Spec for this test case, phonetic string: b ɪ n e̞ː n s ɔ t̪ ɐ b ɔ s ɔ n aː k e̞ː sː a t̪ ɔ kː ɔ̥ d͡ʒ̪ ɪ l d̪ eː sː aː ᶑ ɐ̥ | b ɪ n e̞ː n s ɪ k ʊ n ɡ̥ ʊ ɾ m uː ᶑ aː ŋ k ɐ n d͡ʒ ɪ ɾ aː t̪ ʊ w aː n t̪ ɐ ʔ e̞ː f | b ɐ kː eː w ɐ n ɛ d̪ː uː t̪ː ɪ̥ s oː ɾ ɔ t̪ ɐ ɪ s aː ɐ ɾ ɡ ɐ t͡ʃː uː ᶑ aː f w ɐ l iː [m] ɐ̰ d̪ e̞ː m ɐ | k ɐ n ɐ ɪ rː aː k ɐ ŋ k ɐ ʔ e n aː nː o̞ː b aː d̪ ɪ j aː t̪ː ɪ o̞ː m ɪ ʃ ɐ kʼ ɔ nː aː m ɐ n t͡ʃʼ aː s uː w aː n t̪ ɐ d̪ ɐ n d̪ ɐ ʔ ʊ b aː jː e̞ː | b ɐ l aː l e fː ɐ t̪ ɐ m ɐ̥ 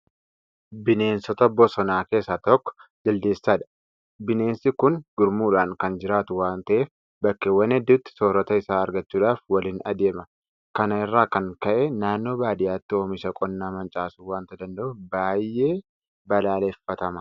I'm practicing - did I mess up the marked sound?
yes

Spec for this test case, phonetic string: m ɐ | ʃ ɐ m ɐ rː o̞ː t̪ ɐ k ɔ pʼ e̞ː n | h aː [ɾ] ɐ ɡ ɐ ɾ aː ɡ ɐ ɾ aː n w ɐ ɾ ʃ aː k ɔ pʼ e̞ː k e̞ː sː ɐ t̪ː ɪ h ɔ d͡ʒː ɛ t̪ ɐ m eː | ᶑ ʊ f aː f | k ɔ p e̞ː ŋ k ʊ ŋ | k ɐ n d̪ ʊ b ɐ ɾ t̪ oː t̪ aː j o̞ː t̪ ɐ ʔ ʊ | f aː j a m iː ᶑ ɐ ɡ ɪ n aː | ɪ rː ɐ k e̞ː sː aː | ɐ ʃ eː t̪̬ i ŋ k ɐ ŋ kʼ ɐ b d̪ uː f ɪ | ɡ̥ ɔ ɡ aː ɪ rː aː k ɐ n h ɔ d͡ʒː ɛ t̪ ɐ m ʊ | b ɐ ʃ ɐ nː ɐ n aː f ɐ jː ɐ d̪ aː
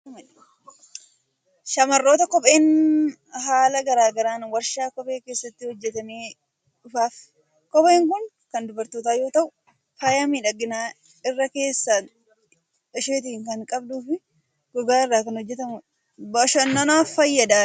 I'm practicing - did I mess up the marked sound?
yes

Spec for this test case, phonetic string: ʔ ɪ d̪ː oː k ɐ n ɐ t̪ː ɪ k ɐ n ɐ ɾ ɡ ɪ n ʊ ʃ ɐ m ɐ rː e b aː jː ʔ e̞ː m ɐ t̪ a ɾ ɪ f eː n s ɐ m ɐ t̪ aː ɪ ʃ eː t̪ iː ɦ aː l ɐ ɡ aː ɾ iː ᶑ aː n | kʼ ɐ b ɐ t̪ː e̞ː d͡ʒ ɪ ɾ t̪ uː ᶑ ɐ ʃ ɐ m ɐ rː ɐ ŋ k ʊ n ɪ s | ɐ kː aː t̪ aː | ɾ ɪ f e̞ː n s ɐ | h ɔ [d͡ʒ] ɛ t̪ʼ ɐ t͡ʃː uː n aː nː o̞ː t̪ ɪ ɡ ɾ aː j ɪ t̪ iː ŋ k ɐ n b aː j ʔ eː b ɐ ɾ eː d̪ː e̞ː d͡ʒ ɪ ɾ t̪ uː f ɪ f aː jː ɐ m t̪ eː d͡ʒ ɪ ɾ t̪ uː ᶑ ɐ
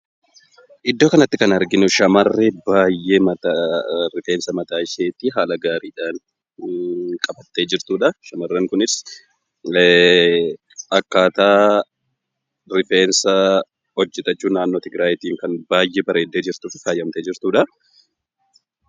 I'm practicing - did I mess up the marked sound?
yes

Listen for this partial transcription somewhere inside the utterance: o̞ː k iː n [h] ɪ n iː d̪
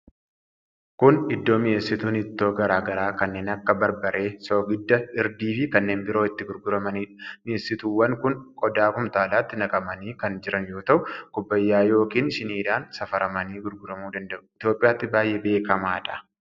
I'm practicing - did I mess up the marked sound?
yes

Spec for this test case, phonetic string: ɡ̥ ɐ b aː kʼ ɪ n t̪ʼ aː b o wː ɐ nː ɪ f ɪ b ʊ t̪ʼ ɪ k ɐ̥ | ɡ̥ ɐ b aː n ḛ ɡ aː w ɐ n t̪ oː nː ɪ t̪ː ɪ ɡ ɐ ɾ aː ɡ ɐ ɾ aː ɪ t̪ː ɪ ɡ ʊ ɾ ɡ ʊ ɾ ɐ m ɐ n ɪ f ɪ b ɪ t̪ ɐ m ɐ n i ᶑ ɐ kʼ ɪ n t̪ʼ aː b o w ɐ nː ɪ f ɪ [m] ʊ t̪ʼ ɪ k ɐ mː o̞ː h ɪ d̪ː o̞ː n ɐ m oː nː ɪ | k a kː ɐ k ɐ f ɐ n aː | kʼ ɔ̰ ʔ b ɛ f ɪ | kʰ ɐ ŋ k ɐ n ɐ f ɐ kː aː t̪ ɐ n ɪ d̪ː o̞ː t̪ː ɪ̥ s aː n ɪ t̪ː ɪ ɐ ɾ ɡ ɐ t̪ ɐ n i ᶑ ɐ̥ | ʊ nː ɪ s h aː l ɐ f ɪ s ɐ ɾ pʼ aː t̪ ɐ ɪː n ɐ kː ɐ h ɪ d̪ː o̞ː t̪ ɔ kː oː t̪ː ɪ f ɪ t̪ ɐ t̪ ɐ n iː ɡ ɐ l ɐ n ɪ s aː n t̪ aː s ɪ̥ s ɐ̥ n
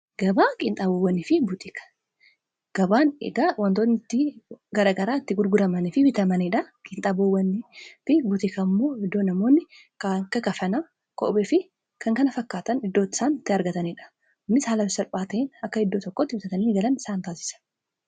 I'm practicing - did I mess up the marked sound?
yes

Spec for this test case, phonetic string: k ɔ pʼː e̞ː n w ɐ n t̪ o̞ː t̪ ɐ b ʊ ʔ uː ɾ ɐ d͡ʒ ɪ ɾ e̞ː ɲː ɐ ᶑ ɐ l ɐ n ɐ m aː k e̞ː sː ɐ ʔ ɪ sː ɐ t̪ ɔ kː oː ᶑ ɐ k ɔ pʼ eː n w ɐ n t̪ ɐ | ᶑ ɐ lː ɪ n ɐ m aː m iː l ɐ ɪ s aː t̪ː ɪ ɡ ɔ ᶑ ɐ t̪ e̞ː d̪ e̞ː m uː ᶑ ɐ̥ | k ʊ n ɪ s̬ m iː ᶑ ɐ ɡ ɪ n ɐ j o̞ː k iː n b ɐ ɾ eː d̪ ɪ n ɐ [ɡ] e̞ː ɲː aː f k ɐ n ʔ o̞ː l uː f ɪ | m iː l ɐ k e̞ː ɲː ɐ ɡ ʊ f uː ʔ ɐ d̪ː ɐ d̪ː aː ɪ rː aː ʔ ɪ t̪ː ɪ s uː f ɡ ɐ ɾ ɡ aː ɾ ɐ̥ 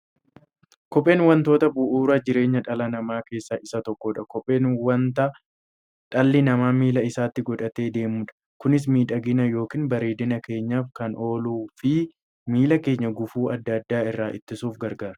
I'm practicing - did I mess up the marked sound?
yes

